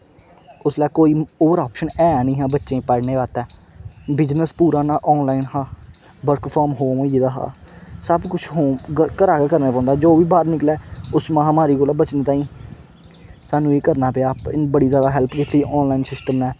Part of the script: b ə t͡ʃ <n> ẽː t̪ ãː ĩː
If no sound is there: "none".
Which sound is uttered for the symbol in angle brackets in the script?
n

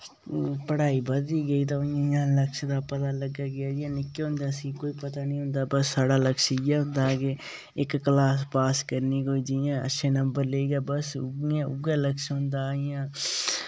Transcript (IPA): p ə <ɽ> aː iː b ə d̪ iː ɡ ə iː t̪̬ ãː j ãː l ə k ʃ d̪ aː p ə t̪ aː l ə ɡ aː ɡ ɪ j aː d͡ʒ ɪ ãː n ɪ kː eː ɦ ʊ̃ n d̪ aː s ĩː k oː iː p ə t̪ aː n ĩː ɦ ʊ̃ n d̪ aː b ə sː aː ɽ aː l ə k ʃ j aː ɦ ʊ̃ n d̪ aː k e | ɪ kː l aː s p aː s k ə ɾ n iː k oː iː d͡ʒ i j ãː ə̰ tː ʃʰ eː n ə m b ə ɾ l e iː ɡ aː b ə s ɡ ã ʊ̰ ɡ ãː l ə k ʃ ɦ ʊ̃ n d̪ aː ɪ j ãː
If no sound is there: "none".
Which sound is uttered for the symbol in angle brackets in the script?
ɽ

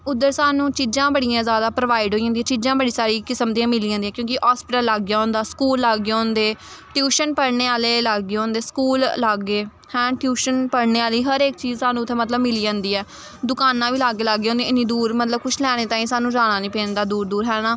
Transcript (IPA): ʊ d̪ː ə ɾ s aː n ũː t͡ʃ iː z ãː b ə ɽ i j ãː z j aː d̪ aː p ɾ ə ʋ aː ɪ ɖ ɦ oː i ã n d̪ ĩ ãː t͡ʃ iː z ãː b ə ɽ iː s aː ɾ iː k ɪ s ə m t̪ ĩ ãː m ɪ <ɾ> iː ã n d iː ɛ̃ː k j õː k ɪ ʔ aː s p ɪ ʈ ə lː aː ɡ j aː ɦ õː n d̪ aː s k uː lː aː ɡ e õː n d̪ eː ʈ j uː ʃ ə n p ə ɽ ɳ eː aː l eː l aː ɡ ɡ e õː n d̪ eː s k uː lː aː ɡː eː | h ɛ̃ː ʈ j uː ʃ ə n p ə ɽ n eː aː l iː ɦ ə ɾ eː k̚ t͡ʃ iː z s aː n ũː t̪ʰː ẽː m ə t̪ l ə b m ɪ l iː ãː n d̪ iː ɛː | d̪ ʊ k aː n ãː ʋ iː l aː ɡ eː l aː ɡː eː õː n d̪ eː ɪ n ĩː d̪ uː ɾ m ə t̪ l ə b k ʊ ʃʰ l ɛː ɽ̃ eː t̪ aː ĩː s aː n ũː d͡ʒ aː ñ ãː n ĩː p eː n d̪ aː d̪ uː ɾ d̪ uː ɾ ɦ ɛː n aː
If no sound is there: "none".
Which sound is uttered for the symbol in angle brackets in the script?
l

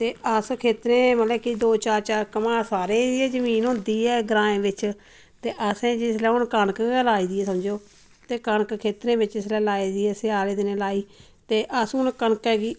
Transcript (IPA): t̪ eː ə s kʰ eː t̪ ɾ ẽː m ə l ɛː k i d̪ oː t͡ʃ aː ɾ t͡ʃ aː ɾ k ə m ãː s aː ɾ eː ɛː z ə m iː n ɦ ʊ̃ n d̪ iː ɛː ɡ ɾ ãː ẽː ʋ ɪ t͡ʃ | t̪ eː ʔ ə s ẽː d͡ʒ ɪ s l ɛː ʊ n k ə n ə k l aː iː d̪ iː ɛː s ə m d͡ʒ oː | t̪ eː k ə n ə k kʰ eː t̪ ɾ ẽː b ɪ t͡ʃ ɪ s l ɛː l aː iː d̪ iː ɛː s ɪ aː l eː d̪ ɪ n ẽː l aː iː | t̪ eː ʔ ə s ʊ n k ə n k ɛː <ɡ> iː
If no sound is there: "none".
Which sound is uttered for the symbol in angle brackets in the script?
ɡ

